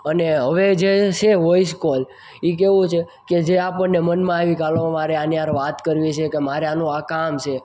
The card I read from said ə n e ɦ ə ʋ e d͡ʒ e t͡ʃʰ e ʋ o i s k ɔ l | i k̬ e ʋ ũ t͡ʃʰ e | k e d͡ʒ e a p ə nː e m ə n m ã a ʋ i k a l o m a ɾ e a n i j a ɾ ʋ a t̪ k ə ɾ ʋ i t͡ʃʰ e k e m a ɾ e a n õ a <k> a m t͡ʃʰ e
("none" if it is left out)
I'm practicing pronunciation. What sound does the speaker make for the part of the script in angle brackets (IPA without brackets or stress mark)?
k